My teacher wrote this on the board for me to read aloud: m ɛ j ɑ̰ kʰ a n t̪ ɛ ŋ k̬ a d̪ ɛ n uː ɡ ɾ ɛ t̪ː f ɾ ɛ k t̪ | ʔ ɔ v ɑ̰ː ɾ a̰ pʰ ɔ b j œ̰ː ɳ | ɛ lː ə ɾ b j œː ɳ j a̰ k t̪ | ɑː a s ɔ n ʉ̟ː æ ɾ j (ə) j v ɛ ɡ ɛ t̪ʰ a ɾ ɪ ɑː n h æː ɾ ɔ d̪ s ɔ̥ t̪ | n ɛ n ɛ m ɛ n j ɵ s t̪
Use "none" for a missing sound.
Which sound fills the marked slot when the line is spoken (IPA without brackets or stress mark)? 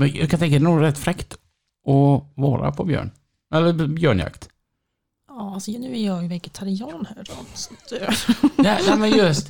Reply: ɑ